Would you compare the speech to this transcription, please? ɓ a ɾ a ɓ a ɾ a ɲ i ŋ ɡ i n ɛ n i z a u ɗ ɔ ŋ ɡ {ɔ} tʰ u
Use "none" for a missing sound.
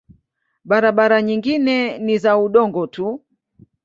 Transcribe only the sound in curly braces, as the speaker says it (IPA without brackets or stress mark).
ɔ